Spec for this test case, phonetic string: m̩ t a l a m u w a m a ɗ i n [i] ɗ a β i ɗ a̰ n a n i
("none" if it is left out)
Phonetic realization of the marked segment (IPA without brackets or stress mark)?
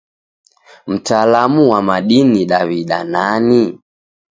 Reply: i